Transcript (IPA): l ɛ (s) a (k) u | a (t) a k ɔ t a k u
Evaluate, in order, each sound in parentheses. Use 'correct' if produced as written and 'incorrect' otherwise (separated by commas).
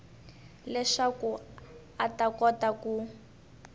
incorrect, correct, correct